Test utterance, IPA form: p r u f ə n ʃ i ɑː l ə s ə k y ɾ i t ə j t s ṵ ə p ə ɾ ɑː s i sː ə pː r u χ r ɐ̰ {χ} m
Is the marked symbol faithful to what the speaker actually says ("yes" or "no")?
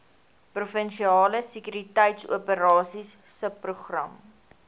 no